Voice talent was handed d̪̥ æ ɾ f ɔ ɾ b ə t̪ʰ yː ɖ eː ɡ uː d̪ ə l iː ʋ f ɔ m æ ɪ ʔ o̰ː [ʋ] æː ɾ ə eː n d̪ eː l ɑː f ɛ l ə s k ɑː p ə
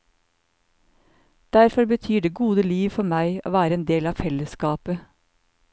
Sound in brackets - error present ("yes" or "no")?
no